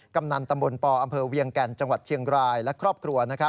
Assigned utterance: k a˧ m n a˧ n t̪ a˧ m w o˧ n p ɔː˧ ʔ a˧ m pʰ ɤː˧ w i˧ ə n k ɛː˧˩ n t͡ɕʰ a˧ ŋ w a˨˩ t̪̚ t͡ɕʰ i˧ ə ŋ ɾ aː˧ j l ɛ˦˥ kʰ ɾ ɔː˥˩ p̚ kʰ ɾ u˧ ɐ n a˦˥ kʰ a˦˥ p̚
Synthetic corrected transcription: k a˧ m n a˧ n t̪ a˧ m b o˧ n p ɔː˧ ʔ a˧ m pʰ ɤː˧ w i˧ ə ŋ k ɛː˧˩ n t͡ɕ a˧ ŋ w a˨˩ t̪̚ t͡ɕʰ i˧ ə ŋ ɾ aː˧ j l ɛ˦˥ kʰ ɾ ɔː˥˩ p̚ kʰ ɾ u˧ ɐ n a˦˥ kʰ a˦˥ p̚